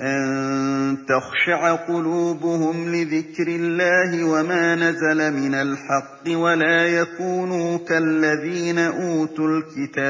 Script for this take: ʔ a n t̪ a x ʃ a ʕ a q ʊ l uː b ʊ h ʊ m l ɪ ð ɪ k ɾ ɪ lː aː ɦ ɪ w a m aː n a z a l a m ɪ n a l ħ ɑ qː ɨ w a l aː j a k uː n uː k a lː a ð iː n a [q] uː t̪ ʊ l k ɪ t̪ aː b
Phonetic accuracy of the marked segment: incorrect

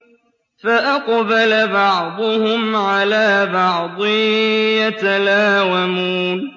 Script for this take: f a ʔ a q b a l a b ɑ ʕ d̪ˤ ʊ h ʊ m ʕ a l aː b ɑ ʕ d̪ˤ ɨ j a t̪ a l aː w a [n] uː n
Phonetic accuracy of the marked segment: incorrect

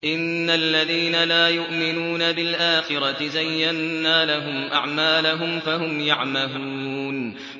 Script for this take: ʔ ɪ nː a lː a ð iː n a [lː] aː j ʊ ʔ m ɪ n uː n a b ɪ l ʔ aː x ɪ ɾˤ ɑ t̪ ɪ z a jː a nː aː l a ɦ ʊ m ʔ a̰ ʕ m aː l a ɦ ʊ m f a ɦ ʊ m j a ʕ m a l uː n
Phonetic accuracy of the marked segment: incorrect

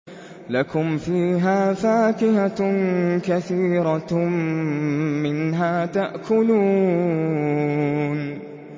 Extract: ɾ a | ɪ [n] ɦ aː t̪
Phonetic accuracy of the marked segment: correct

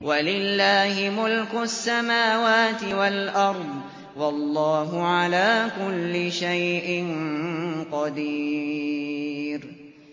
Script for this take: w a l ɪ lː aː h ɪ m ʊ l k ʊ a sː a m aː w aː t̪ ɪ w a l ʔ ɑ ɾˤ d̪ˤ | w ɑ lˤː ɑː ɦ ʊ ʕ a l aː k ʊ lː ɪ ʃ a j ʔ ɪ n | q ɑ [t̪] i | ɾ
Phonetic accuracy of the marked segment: incorrect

